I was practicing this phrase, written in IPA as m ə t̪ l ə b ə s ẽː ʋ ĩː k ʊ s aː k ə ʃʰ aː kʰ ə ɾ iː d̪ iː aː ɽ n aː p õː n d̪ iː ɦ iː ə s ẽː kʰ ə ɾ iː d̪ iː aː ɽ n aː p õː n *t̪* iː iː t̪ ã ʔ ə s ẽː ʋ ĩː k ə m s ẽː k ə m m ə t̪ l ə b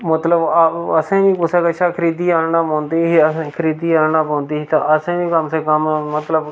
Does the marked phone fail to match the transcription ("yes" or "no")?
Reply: yes